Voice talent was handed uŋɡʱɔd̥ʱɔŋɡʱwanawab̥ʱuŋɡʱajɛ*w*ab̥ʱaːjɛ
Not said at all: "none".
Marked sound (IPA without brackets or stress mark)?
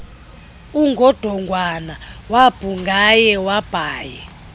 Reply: w